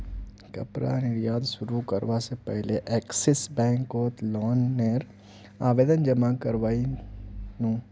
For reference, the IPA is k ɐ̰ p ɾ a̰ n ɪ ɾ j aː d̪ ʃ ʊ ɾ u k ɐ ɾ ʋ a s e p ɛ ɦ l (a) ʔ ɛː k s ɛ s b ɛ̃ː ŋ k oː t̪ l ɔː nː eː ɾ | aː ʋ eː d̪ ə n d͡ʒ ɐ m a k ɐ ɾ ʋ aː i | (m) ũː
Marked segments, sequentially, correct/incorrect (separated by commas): incorrect, incorrect